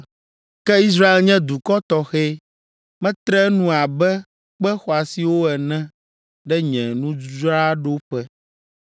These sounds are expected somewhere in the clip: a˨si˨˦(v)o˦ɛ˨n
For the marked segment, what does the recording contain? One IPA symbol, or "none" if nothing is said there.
w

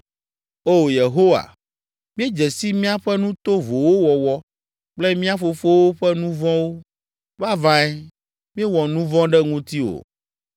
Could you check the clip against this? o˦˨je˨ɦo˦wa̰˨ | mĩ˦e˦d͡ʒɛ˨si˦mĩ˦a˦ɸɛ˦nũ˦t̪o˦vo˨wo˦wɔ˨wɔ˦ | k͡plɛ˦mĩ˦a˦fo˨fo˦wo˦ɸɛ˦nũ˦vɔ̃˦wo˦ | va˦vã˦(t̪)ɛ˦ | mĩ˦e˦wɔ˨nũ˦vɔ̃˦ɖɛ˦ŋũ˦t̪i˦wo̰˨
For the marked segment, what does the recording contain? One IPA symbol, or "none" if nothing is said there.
none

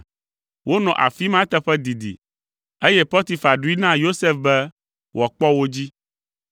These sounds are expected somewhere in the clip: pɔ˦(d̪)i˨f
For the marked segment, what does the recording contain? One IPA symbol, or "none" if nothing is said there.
t̪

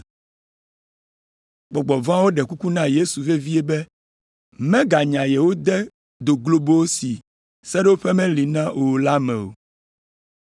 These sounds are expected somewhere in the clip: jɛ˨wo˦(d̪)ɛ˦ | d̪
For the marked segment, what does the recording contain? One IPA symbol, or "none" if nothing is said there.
d̪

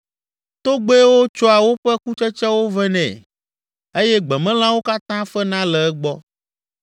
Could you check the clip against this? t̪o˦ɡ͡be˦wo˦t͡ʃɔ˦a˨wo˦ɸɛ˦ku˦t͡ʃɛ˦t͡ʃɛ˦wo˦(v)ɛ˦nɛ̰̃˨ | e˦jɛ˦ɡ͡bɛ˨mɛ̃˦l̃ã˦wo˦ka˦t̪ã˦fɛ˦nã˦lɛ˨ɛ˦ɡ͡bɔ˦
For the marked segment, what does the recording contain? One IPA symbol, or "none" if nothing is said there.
v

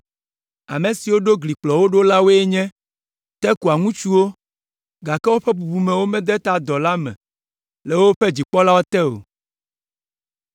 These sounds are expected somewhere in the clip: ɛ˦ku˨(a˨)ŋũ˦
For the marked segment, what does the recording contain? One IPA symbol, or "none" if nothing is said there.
a˨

